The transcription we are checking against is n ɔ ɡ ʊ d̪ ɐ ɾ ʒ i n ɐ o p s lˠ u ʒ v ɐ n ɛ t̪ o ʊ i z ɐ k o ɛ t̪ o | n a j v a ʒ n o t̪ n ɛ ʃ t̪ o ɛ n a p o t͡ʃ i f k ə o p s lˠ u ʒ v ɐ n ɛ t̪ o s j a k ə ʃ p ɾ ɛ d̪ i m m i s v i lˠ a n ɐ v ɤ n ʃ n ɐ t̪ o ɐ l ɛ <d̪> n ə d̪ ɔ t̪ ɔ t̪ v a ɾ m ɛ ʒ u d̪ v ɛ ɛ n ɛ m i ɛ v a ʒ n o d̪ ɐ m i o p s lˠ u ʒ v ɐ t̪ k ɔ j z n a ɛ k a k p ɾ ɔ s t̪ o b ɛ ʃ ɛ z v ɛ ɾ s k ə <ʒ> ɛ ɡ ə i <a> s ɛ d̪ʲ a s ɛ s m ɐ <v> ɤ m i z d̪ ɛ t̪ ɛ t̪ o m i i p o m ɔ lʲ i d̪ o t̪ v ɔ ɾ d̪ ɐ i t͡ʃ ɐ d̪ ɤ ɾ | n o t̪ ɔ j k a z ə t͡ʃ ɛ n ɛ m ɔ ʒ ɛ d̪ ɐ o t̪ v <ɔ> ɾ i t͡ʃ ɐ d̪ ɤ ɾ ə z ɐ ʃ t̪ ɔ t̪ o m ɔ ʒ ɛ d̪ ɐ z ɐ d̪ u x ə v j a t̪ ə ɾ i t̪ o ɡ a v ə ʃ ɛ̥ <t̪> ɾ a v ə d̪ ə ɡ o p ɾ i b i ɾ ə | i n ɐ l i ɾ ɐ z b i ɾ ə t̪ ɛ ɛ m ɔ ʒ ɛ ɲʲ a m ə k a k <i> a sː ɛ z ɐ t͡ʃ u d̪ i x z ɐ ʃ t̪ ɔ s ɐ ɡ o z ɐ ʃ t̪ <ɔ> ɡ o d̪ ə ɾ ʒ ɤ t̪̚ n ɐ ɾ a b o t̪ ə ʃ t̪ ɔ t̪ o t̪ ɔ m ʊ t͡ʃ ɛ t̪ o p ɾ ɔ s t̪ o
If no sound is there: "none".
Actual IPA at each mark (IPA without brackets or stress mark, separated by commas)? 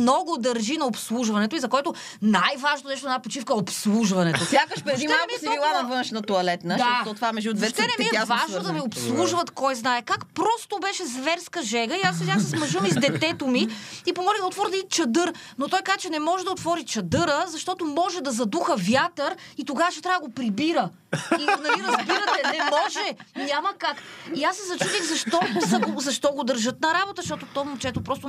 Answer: t̪, ʒ, a, ʒ, ɔ, t̪, i, ɔ